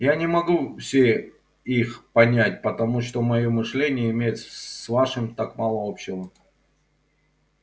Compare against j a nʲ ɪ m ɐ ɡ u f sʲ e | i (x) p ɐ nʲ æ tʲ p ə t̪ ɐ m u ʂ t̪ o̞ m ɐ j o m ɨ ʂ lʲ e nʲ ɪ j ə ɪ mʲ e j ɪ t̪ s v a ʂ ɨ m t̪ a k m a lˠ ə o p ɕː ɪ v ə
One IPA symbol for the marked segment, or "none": x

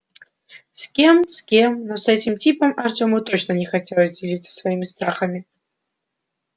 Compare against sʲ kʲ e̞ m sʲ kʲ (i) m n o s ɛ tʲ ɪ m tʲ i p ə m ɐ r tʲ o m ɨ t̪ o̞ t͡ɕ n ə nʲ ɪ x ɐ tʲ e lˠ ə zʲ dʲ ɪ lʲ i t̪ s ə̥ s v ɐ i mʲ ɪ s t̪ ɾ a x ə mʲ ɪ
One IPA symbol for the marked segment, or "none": e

